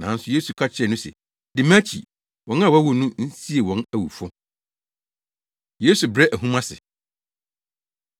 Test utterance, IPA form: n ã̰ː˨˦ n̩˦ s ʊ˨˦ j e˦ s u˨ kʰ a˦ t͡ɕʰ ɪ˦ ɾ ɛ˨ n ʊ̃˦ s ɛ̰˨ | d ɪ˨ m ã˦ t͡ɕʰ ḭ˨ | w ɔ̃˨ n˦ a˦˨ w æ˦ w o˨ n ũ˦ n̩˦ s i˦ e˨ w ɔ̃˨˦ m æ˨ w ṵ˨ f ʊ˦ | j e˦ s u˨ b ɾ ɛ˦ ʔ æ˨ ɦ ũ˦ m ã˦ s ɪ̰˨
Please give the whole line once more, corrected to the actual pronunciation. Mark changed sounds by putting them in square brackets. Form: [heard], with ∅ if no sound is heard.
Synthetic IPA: n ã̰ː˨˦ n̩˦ s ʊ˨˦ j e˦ s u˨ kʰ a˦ t͡ɕʰ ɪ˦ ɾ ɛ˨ n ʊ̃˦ s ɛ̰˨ | d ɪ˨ m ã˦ t͡ɕʰ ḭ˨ | w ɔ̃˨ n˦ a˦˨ w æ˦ w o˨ n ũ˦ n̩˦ s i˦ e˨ w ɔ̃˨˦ [n] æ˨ w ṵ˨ f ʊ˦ | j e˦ s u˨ b ɾ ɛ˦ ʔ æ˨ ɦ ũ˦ m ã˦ s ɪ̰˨